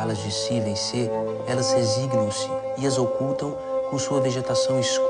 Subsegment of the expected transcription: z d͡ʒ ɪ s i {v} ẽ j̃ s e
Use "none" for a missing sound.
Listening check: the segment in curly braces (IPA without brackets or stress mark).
v